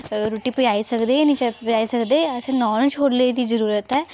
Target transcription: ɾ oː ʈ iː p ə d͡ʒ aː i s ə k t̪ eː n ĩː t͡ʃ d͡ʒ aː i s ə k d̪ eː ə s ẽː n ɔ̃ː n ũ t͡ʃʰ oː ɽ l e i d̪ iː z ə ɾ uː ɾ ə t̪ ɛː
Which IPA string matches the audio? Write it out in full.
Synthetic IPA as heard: ɾ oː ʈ iː p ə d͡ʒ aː i s ə k d̪ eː n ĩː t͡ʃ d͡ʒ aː i s ə k d̪ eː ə s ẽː n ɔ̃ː n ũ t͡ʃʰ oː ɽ l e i d̪ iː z ə ɾ uː ɾ ə t̪ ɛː